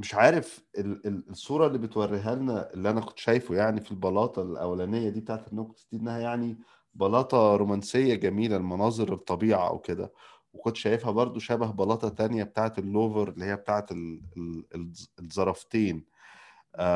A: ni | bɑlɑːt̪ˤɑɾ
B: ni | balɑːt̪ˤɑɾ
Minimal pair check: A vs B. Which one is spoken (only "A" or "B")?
A